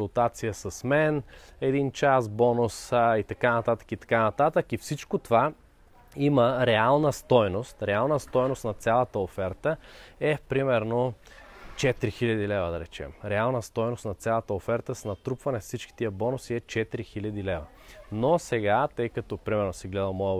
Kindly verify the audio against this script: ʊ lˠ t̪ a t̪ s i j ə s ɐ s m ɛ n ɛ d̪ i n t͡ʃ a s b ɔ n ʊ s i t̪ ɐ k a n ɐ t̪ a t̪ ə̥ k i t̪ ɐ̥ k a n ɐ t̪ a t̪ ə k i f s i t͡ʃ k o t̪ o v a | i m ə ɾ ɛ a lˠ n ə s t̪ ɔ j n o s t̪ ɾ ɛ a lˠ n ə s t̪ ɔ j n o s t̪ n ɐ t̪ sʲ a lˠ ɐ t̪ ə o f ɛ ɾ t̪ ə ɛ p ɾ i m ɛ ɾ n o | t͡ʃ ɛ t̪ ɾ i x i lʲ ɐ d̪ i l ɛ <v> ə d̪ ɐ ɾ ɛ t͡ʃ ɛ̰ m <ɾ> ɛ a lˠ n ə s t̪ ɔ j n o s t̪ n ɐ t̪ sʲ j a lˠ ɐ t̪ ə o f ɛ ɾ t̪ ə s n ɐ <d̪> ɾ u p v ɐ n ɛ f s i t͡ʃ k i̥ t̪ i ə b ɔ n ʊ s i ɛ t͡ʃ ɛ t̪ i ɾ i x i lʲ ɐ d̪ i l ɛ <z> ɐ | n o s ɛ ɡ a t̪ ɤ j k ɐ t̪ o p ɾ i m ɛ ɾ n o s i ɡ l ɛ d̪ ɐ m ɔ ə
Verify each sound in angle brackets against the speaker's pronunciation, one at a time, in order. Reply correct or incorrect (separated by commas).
correct, correct, incorrect, incorrect